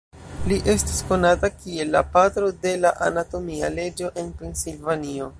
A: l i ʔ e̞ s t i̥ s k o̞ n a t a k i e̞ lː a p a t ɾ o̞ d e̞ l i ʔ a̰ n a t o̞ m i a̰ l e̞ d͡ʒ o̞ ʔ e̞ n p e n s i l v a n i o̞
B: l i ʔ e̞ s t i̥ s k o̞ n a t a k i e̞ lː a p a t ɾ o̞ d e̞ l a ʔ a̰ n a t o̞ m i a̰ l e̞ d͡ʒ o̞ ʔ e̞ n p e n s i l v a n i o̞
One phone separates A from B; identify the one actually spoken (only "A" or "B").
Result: B